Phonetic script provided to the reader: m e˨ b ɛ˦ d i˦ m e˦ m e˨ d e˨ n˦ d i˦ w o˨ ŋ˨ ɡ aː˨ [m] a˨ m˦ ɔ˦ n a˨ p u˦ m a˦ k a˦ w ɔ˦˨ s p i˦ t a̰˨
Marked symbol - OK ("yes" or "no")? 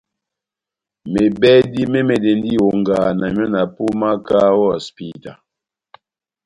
no